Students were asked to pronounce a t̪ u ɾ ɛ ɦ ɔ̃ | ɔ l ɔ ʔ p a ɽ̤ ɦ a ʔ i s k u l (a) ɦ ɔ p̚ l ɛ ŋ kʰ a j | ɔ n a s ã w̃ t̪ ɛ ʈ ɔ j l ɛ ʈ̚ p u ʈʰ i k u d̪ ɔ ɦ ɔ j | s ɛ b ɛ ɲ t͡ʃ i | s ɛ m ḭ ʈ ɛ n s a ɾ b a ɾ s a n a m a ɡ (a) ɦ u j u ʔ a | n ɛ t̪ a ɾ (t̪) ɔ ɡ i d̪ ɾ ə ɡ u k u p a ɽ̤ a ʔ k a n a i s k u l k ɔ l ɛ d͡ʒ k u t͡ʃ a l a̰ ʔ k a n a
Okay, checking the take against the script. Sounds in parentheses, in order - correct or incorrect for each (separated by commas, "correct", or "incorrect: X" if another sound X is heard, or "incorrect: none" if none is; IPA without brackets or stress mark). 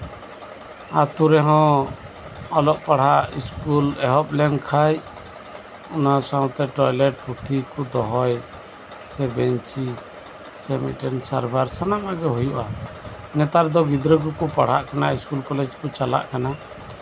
incorrect: ɛ, incorrect: ɛ, incorrect: d̪